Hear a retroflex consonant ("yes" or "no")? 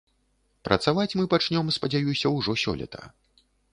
yes